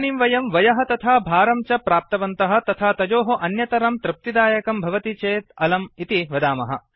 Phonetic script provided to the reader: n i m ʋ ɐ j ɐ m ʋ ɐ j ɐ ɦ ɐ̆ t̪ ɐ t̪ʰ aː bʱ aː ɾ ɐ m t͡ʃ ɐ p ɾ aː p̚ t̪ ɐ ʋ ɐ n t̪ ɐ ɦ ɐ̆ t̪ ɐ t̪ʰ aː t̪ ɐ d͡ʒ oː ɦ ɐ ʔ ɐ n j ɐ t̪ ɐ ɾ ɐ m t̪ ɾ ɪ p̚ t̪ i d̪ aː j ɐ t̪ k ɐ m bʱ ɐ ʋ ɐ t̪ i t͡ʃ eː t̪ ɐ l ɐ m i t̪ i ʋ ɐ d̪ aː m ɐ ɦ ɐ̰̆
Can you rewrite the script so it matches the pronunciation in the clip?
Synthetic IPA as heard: n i m ʋ ɐ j ɐ m ʋ ɐ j ɐ ɦ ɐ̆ t̪ ɐ t̪ʰ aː bʱ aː ɾ ɐ m t͡ʃ ɐ p ɾ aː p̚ t̪ ɐ ʋ ɐ n t̪ ɐ ɦ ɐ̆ t̪ ɐ t̪ʰ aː t̪ ɐ d͡ʒ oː ɦ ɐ ʔ ɐ n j ɐ t̪ ɐ ɾ ɐ m t̪ ɾ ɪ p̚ t̪ i d̪ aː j ɐ k ɐ m bʱ ɐ ʋ ɐ t̪ i t͡ʃ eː t̪ ɐ l ɐ m i t̪ i ʋ ɐ d̪ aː m ɐ ɦ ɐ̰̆